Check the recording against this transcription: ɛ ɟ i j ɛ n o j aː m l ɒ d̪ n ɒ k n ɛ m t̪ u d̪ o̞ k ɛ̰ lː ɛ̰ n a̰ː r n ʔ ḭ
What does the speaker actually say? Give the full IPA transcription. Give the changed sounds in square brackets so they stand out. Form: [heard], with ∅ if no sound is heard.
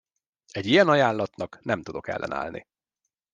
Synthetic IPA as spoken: ɛ ɟ i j ɛ n [ɒ] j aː [n] l ɒ [t̪] n ɒ k n ɛ m t̪ u d̪ o̞ k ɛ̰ lː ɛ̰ n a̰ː [l] n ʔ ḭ